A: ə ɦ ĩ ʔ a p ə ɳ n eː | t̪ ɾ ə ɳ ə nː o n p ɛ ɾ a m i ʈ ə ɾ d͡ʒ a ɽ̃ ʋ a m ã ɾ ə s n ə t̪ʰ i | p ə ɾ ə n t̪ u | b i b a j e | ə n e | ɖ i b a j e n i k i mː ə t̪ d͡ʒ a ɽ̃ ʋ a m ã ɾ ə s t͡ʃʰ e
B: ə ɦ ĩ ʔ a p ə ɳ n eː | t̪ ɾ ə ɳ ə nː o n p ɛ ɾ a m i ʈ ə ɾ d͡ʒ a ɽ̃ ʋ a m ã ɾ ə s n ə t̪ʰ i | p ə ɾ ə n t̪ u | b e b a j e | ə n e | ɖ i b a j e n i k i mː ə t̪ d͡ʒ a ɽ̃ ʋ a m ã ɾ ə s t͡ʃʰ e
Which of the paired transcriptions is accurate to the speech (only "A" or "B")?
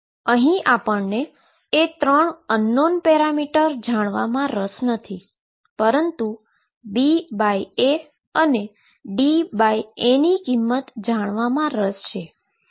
A